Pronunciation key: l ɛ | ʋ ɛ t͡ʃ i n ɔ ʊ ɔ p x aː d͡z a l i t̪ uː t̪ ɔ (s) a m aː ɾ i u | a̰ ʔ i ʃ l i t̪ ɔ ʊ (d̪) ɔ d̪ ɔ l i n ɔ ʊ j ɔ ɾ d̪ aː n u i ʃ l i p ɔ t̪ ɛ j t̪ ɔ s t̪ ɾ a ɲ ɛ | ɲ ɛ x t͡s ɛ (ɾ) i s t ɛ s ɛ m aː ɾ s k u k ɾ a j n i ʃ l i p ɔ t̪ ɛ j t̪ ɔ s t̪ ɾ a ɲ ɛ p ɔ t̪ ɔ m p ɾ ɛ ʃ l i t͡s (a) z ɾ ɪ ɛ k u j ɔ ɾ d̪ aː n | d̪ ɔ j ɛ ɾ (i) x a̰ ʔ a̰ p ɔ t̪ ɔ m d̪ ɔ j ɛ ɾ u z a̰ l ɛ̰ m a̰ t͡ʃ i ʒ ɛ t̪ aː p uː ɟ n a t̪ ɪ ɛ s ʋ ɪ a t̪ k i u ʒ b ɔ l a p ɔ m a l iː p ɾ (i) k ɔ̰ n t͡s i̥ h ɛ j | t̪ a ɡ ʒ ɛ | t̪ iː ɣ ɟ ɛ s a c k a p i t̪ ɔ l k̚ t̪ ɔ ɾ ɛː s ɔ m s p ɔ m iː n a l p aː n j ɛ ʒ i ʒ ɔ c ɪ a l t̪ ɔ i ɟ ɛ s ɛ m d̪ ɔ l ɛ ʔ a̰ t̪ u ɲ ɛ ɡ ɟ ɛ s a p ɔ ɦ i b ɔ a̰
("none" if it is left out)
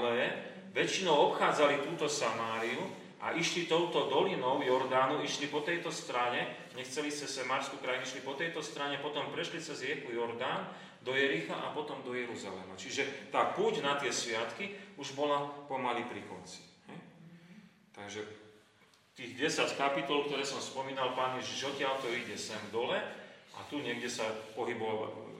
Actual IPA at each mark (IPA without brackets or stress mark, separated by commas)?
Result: s, t̪, l, ɛ, i, i